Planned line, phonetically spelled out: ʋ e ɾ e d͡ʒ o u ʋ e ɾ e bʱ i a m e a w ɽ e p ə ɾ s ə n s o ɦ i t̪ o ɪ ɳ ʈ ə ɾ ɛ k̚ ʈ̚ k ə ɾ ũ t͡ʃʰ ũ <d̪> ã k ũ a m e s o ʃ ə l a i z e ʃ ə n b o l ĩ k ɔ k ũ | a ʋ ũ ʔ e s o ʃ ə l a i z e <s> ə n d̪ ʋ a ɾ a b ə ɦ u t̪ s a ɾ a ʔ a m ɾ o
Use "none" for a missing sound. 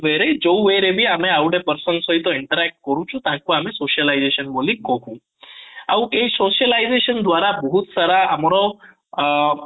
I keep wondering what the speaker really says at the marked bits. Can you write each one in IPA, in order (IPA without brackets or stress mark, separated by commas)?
t̪, ʃ